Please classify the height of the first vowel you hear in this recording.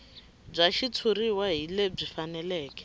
low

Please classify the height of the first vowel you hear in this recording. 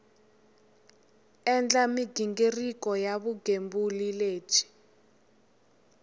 mid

